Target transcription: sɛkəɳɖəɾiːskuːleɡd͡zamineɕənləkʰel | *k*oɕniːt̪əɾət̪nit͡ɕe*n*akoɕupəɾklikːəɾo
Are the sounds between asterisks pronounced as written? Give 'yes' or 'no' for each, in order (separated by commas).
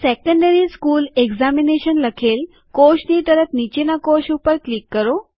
yes, yes